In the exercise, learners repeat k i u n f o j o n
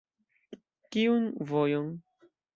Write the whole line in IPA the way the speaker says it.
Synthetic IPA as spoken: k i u n v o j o n